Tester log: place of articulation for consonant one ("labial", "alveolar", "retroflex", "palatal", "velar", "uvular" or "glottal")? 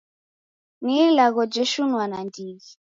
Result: alveolar